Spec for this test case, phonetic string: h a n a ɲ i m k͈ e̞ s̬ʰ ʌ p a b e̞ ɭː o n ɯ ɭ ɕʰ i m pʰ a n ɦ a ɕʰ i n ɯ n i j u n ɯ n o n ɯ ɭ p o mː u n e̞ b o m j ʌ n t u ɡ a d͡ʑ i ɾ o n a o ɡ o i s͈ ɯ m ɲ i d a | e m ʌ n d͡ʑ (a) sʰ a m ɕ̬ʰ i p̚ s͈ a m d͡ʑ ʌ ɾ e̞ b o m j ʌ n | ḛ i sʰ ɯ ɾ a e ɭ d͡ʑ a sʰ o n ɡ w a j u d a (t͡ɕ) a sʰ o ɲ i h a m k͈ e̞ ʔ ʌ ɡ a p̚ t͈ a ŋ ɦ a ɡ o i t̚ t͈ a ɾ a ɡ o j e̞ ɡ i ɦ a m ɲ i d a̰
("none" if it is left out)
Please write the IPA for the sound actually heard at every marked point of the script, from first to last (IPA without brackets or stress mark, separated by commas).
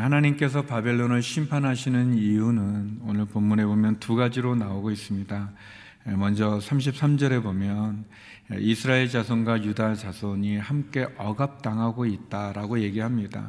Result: ʌ, t͡ɕ